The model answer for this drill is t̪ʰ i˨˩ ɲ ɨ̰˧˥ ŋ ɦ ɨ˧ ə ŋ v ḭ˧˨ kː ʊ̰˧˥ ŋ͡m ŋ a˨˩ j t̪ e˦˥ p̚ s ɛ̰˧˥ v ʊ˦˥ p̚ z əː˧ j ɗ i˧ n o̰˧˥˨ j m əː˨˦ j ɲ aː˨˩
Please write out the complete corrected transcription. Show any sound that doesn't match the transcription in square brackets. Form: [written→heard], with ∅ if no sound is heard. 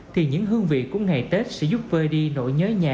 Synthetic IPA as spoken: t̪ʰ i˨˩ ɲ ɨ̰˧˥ ŋ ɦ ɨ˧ ə ŋ v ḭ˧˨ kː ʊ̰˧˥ ŋ͡m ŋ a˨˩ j t̪ e˦˥ [p̚→t̚] s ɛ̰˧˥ [v→z] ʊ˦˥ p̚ [z→v] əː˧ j ɗ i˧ n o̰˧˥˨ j [m→ɲ] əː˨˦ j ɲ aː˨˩